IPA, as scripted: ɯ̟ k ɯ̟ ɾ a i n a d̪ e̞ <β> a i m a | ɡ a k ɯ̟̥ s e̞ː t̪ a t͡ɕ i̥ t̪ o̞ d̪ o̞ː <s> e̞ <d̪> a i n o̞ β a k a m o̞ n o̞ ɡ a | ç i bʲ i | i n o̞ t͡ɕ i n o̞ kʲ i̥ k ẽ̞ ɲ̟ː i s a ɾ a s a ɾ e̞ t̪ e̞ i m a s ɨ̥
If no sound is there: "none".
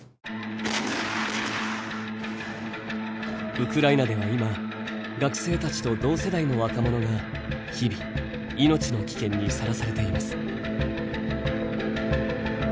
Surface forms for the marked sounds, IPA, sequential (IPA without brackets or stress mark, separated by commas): β, s, d̪